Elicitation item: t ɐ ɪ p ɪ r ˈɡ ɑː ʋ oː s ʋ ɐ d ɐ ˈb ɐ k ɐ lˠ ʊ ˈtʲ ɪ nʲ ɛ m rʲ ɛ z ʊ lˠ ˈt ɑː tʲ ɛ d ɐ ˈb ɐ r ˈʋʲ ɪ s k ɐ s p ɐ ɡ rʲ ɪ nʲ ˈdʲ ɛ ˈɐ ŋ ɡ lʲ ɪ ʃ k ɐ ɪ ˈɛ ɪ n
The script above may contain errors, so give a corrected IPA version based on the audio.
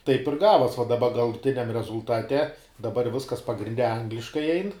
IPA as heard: t ɐ ɪ p ɪ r ˈɡ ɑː ʋ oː s ʋ ɐ d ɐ ˈb ɐ ɡ ɐ lˠ ʊ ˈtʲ ɪ nʲ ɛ m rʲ ɛ z ʊ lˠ ˈt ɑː tʲ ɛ d ɐ ˈb ɐ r ˈʋʲ ɪ s k ɐ s p ɐ ɡ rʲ ɪ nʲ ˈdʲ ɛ ˈɐ ŋ ɡ lʲ ɪ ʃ k ɐ ɪ ˈɛ ɪ n